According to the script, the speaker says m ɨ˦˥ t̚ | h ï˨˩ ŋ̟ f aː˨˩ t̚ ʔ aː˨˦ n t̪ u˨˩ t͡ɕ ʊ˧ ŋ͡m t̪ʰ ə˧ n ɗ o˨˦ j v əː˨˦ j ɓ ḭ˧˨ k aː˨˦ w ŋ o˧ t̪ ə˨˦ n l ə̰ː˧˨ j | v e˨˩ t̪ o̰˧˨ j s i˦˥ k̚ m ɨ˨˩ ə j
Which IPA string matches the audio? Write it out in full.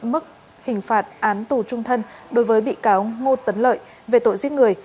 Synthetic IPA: m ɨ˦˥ k̚ | h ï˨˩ ŋ̟ f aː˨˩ t̚ ʔ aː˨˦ n t̪ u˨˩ t͡ɕ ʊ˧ ŋ͡m t̪ʰ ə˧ n ɗ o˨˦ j v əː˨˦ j ɓ ḭ˧˨ k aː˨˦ w ŋ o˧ t̪ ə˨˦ n l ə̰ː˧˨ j | v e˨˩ t̪ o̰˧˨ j z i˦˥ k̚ ŋ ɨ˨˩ ə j